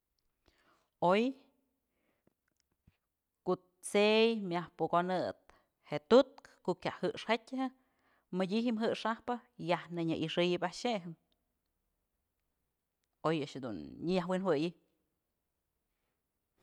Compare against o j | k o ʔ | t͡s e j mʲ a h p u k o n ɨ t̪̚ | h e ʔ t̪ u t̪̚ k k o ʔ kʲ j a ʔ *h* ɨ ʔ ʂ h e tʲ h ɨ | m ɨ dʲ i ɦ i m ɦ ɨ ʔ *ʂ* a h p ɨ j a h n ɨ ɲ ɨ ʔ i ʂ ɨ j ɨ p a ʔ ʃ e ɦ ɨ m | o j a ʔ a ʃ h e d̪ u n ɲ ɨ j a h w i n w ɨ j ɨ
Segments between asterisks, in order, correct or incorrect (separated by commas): correct, correct